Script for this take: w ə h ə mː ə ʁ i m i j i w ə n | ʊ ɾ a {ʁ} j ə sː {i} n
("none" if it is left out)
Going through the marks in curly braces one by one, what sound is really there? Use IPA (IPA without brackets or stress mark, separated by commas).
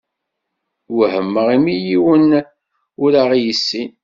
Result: ʁ, i